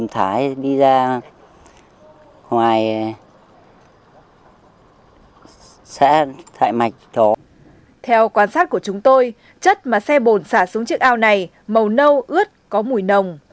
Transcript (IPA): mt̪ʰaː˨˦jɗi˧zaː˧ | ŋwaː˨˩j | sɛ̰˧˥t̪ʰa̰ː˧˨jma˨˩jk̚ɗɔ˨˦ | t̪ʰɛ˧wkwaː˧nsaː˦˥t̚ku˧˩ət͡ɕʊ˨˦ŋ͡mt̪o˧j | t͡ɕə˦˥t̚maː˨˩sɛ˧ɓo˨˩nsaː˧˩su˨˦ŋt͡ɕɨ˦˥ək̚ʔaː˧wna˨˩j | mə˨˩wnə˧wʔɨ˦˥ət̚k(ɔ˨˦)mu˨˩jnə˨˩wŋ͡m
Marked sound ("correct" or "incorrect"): correct